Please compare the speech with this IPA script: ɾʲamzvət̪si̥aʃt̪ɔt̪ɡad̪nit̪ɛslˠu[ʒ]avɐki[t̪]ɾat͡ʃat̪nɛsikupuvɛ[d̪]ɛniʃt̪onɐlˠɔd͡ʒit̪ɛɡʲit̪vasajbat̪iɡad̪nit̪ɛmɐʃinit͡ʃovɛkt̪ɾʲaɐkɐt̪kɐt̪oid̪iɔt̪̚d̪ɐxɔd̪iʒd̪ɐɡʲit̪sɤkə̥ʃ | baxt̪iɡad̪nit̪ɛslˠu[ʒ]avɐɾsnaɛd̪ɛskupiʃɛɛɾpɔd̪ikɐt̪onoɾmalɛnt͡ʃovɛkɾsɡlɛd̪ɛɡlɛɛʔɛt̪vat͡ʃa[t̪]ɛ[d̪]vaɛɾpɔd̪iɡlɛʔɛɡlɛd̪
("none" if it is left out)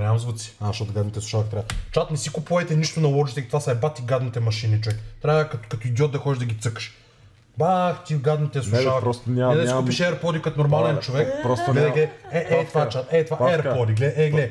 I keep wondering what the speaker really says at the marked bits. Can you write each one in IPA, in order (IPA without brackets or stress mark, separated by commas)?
ʃ, t̪, t̪, ʃ, t̪, t̪